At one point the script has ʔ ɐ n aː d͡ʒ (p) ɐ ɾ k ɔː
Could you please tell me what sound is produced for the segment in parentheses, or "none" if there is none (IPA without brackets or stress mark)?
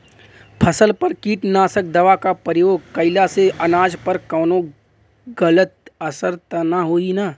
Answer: p